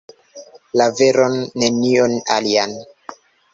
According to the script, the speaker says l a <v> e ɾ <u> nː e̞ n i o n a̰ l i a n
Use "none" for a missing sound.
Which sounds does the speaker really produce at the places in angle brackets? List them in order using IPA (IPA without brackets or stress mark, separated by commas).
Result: v, o